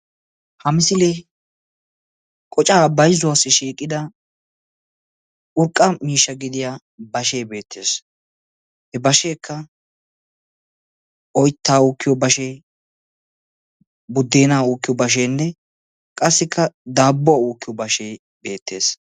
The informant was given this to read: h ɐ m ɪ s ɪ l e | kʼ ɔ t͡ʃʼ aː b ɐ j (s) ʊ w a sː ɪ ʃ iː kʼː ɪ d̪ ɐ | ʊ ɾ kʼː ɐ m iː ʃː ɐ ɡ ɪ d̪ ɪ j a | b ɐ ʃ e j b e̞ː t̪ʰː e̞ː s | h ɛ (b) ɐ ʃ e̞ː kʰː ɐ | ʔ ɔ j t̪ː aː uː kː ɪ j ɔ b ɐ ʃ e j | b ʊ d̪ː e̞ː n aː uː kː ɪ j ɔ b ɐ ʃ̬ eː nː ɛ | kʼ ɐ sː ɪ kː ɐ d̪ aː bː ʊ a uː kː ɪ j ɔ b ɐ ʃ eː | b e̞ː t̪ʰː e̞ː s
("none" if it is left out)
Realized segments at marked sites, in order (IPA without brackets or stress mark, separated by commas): z, b